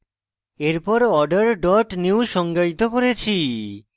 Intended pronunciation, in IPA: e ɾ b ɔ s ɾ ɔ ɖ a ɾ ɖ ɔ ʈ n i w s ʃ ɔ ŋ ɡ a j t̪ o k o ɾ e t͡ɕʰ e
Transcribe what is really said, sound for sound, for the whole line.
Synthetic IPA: e ɾ p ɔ ɾ ɔ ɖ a ɾ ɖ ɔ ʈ n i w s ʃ ɔ ŋ ɡ a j t̪ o k o ɾ e t͡ɕʰ i

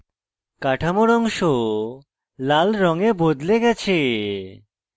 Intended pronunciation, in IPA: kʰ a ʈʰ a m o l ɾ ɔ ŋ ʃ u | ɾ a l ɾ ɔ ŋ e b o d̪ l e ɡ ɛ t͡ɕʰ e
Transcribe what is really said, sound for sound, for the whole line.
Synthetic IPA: k a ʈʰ a m o ɾ ɔ ŋ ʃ o | l a l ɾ ɔ ŋ e b o d̪ l e ɡ ɛ t͡ɕʰ e

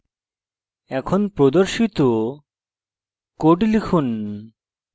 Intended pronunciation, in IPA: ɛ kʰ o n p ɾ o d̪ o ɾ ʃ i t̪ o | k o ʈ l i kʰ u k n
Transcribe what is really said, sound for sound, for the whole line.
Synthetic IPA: ɛ kʰ o n p ɾ o d̪ o ɾ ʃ i t̪ o | k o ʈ l i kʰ u n

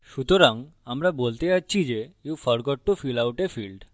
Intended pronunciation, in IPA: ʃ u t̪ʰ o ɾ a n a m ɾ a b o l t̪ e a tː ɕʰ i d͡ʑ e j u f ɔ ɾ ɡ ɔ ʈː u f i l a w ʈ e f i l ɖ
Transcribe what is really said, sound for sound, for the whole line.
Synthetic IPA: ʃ u t̪ o ɾ a ŋ a m ɾ a b o l t̪ e a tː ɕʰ i d͡ʑ e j u f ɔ ɾ ɡ ɔ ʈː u f i l a w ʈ e f i l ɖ

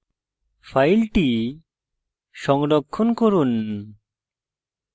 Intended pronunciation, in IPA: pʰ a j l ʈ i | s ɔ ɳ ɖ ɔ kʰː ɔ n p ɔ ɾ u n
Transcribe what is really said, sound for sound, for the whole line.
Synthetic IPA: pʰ a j l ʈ i | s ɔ ŋ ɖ ɔ kʰː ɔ n k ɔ ɾ u n

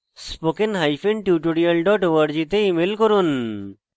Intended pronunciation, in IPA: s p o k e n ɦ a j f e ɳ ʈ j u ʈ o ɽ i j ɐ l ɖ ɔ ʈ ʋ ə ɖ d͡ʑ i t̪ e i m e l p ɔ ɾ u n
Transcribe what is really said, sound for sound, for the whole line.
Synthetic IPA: s p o k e n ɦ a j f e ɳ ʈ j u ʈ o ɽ i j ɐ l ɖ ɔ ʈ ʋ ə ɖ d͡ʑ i t̪ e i m e l k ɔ ɾ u n

